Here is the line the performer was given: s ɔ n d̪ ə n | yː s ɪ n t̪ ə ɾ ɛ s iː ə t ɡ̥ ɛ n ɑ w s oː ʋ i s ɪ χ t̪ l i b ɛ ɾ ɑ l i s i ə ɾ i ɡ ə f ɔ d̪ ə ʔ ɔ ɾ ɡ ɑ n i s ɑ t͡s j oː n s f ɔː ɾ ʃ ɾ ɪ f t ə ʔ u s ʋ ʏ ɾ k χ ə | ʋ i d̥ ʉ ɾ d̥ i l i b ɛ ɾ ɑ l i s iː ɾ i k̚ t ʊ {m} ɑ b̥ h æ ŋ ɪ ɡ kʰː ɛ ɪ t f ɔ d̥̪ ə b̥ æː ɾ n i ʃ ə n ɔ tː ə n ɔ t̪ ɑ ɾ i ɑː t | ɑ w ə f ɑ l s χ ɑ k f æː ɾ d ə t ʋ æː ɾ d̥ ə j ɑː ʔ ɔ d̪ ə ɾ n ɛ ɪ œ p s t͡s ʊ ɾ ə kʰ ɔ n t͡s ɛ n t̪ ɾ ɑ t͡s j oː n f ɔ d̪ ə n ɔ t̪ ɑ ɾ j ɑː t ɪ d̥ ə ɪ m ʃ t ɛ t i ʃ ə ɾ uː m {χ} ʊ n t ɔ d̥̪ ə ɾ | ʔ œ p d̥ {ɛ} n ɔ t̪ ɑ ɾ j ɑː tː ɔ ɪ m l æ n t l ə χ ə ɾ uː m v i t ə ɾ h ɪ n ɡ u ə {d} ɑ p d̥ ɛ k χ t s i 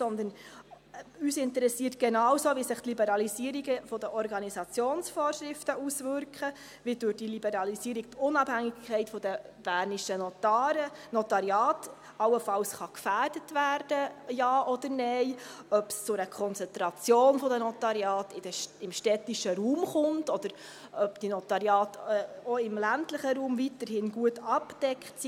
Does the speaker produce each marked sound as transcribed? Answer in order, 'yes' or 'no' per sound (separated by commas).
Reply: no, yes, no, no